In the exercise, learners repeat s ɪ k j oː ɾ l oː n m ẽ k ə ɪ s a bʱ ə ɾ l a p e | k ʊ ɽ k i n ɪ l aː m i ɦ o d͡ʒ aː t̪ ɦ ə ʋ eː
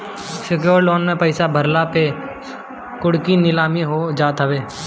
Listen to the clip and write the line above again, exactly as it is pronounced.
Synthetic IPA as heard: s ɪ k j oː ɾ l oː n m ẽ p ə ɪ s a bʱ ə ɾ l a p e | k ʊ ɽ k i n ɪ l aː m i ɦ o d͡ʒ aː t̪ ɦ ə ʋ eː